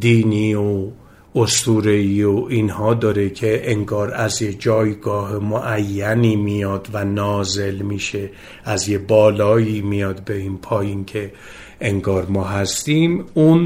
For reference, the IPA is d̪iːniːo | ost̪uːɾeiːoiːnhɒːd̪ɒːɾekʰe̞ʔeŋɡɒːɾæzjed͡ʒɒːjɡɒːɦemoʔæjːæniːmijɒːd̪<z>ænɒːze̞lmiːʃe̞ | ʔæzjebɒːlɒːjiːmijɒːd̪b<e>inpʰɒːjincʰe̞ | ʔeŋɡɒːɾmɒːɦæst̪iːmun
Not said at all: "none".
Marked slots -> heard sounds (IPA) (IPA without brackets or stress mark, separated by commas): v, e